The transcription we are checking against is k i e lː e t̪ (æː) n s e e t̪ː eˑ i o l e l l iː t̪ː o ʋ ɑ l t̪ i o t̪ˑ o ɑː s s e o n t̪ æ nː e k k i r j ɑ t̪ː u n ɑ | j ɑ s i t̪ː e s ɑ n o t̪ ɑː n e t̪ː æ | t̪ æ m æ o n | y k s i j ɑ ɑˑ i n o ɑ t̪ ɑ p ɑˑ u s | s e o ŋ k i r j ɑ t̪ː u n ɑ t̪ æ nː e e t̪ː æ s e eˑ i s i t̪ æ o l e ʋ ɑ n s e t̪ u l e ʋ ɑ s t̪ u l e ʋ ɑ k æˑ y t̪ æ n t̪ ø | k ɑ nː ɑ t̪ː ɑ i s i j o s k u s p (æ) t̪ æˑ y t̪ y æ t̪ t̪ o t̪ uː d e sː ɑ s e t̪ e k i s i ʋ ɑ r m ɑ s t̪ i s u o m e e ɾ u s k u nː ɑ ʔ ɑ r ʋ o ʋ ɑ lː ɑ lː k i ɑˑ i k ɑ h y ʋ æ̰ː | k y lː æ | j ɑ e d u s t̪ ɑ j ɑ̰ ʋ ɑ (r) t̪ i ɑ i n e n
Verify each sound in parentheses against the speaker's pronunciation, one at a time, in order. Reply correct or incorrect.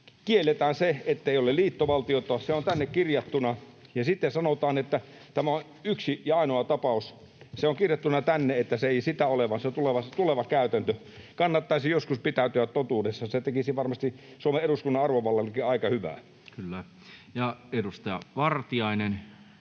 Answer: correct, incorrect: i, correct

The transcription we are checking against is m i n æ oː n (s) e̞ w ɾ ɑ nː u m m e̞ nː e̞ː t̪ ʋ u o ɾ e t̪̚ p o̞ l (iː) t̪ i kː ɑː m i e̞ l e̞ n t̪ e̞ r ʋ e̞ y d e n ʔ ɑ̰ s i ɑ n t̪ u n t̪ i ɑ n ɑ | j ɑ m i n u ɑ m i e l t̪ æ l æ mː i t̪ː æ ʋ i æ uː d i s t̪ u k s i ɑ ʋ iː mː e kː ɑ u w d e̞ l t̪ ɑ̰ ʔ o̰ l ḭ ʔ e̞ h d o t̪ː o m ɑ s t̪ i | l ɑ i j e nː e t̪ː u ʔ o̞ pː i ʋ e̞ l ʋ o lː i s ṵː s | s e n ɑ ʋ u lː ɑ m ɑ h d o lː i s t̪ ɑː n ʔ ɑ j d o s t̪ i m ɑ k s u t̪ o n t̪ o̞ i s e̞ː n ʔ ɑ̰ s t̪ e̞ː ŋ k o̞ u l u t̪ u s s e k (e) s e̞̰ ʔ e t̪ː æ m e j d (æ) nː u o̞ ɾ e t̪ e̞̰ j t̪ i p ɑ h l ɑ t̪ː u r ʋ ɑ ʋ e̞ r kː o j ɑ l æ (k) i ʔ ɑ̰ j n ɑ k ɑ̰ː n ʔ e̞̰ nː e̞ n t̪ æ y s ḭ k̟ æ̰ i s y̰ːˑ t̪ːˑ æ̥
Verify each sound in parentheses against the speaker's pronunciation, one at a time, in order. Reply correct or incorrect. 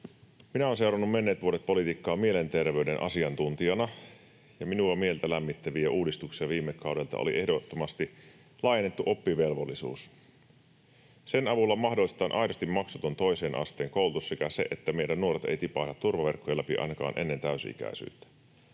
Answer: correct, incorrect: i, incorrect: æ, correct, incorrect: p

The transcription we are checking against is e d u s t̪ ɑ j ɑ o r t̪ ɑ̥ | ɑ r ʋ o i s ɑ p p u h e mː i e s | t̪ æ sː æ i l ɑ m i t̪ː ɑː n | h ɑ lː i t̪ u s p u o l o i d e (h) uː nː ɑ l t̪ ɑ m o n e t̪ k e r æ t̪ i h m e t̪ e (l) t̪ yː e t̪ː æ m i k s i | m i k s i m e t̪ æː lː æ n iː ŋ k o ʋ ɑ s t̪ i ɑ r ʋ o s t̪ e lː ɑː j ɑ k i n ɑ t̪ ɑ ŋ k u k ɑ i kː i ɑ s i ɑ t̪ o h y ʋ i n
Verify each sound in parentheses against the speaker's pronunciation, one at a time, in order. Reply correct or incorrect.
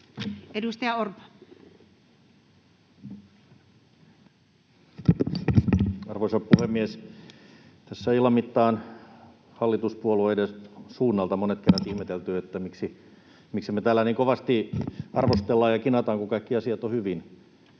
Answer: incorrect: s, correct

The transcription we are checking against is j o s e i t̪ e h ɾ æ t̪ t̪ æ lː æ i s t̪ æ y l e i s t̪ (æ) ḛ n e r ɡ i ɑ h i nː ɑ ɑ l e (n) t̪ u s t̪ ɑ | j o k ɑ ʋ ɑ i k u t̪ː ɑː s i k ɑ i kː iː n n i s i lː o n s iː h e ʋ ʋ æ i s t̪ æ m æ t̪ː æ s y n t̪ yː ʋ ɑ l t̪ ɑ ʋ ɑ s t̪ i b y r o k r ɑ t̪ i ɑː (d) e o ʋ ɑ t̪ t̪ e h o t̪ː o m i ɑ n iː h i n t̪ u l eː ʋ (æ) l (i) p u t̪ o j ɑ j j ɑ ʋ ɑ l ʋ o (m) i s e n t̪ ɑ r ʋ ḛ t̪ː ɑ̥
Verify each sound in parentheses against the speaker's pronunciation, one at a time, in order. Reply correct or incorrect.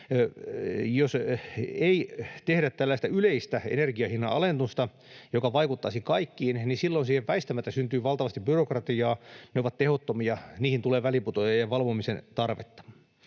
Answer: correct, correct, incorrect: n, correct, correct, correct

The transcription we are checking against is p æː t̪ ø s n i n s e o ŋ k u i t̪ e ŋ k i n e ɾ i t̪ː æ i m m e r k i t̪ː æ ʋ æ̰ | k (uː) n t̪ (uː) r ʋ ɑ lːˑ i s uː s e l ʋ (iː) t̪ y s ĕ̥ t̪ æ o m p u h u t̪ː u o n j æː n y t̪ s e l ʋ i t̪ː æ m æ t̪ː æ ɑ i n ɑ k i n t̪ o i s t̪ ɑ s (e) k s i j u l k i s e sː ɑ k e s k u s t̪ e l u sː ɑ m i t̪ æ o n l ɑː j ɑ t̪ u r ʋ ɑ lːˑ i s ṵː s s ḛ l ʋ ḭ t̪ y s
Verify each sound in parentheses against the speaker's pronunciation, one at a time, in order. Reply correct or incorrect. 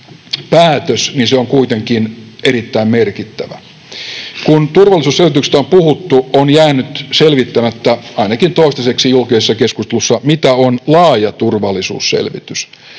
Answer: incorrect: u, incorrect: u, incorrect: i, correct

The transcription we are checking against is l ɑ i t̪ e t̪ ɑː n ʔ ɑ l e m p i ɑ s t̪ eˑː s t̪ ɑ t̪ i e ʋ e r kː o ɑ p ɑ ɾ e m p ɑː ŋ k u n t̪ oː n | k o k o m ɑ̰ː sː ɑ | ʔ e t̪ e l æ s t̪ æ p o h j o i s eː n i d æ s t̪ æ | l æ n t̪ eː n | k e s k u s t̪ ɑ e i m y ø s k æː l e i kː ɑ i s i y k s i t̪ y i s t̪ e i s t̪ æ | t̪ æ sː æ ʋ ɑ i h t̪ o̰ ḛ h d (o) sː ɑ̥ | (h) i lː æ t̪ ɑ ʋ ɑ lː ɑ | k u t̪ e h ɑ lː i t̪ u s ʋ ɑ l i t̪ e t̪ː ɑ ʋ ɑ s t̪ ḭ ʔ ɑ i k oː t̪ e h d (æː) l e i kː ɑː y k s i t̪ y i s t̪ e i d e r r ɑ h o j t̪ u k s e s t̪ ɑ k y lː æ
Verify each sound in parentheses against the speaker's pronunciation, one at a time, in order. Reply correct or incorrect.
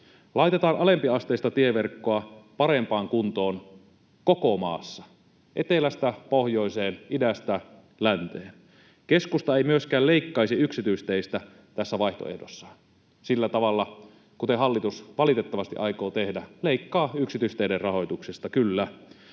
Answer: correct, incorrect: s, incorrect: æ

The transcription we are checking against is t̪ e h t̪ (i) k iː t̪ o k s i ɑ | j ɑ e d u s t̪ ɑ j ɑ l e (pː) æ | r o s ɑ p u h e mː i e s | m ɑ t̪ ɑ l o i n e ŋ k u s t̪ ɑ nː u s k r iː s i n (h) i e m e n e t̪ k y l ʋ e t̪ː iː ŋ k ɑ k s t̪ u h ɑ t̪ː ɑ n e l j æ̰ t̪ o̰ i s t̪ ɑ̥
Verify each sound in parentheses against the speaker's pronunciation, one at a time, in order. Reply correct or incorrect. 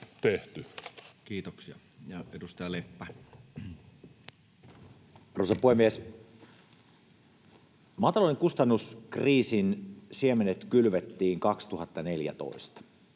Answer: incorrect: y, correct, incorrect: s

